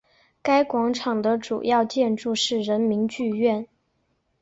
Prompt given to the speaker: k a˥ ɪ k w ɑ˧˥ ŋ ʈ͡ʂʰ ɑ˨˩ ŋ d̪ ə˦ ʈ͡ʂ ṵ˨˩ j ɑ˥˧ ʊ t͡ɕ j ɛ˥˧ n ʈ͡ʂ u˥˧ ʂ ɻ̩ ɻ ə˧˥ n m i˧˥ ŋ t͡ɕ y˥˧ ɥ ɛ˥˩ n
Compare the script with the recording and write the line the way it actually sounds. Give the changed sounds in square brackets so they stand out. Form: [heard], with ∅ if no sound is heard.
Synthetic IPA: k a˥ ɪ k w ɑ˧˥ ŋ ʈ͡ʂʰ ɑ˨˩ ŋ d̪ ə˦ ʈ͡ʂ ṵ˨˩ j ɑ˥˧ ʊ t͡ɕ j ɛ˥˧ n ʈ͡ʂ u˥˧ ʂ ɻ̩ ɻ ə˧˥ n m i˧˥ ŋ t͡ɕ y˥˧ ɥ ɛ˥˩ n

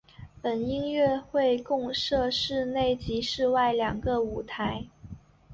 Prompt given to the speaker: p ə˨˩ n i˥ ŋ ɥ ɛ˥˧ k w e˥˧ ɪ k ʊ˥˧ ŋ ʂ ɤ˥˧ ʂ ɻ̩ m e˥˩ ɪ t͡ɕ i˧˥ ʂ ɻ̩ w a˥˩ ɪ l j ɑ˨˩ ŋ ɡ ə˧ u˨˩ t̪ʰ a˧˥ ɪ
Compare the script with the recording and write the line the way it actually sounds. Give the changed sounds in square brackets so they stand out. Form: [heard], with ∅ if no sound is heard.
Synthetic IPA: p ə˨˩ n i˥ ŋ ɥ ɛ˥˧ [x] w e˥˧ ɪ k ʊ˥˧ ŋ ʂ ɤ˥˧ ʂ ɻ̩ [n] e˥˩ ɪ t͡ɕ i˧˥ ʂ ɻ̩ w a˥˩ ɪ l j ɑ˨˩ ŋ ɡ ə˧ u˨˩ t̪ʰ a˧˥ ɪ

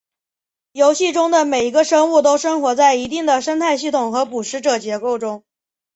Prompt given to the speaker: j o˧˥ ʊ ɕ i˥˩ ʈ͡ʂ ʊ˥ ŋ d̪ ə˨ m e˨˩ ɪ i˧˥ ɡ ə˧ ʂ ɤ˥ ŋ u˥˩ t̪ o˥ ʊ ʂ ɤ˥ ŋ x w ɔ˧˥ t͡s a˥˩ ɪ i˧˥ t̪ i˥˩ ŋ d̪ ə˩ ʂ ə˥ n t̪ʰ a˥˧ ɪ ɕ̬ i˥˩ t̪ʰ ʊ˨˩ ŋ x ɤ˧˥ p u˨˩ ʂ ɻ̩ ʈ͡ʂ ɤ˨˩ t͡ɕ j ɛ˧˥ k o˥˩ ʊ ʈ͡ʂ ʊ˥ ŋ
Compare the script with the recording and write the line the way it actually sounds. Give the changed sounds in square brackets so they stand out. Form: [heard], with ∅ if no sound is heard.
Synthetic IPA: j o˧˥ ʊ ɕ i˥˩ ʈ͡ʂ ʊ˥ ŋ d̪ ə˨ m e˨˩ ɪ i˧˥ ɡ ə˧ ʂ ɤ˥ ŋ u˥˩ t̪ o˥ ʊ ʂ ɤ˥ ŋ x w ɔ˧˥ t͡s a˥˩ ɪ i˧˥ t̪ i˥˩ ŋ d̪ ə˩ ʂ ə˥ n t̪ʰ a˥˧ ɪ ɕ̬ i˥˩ t̪ʰ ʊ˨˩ ŋ x ɤ˧˥ p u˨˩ ʂ ɻ̩ ʈ͡ʂ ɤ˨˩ t͡ɕ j ɛ˧˥ k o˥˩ ʊ ʈ͡ʂ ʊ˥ ŋ

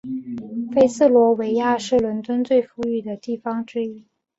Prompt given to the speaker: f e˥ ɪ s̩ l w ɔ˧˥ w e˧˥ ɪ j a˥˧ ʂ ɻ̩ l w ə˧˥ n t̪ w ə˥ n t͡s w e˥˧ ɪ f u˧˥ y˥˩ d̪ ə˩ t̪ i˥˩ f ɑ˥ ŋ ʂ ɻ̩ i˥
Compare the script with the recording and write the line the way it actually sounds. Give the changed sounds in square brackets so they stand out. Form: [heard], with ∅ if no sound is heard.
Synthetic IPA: f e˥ ɪ s̩ l w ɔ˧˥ w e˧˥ ɪ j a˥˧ ʂ ɻ̩ l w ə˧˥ n t̪ w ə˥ n t͡s w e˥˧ ɪ f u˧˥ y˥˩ d̪ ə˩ t̪ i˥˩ f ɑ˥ ŋ [ʈ͡ʂ] ɻ̩ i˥

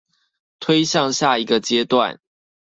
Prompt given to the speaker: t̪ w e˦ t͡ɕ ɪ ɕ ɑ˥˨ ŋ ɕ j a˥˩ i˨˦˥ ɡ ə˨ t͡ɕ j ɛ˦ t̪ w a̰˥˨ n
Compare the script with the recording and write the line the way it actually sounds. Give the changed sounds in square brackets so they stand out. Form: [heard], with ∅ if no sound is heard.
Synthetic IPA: [t̪ʰ] w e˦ [∅] ɪ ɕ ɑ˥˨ ŋ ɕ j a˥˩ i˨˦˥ ɡ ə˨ t͡ɕ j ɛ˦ t̪ w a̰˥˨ n

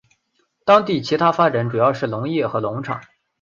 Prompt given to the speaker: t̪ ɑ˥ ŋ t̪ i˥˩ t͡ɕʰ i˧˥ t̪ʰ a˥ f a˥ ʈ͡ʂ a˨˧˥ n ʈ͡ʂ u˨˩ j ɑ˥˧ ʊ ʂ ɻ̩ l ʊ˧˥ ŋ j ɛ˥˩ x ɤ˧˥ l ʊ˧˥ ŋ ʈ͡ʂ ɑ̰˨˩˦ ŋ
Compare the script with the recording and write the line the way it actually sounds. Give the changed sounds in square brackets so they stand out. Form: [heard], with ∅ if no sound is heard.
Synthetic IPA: t̪ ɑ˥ ŋ t̪ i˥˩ t͡ɕʰ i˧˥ t̪ʰ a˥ f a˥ ʈ͡ʂ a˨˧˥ n ʈ͡ʂ u˨˩ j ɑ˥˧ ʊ ʂ ɻ̩ l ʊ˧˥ ŋ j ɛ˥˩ x ɤ˧˥ l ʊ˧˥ ŋ [ʈ͡ʂʰ] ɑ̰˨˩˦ ŋ

